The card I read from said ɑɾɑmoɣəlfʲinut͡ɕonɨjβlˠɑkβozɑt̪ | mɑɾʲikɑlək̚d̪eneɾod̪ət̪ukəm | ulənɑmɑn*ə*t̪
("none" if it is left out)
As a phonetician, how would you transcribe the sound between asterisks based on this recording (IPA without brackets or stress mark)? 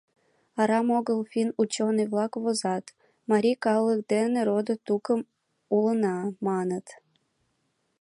ə